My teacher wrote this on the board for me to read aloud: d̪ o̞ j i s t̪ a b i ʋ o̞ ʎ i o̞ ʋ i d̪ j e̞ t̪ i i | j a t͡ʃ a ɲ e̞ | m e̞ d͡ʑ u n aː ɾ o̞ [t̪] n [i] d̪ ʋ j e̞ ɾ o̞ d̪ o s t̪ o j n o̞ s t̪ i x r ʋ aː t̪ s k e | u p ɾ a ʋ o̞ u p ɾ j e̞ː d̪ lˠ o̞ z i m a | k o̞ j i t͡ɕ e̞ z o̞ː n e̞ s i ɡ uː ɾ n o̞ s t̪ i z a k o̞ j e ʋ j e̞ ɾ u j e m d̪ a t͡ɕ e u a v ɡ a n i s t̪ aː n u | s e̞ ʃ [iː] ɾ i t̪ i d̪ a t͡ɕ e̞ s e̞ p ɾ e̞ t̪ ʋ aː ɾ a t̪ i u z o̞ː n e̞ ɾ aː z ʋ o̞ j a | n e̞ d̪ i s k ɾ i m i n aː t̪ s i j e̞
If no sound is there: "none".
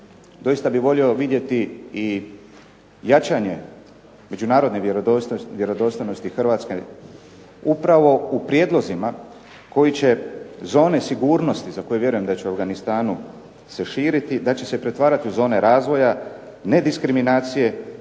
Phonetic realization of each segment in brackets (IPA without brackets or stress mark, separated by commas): d̪, e, iː